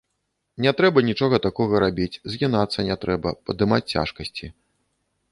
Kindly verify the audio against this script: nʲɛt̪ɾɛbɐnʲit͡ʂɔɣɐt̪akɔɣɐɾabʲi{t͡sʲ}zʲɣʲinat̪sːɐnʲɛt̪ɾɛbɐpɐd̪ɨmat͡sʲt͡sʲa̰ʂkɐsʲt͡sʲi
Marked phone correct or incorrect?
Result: correct